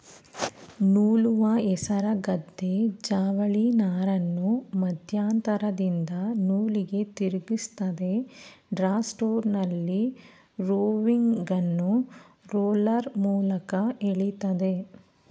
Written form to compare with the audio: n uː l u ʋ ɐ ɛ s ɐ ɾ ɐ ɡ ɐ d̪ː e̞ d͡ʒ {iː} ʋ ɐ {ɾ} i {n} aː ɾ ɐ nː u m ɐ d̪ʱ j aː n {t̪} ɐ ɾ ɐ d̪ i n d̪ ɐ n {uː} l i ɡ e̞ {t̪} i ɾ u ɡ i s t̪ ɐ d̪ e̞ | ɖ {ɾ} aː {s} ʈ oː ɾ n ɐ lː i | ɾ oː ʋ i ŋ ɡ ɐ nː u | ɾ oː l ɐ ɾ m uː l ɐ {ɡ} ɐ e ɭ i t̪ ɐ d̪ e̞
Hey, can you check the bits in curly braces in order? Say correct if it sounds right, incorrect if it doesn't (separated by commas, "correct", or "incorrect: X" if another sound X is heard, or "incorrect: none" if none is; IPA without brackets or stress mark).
incorrect: aː, incorrect: ɭ, correct, correct, correct, correct, correct, correct, incorrect: k